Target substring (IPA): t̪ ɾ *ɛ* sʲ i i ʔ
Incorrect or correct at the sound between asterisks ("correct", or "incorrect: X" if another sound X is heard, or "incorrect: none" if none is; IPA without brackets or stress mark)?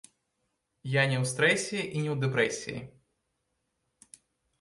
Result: correct